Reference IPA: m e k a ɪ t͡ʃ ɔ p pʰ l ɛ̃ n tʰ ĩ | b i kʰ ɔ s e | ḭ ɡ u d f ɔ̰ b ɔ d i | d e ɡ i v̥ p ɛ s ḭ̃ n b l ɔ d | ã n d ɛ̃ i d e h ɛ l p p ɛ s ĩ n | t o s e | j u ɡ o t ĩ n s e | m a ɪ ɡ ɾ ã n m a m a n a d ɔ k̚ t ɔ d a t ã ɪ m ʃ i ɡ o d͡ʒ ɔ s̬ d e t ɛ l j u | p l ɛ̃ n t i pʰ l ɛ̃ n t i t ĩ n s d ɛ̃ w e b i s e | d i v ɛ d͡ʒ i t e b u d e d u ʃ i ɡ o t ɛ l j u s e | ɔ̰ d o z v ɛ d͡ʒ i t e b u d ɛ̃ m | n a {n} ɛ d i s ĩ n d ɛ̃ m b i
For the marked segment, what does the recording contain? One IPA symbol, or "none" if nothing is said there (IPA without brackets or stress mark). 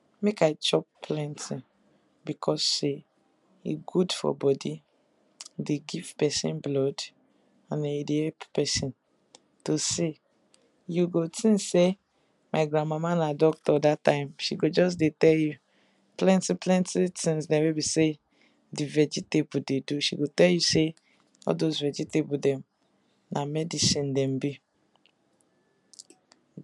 m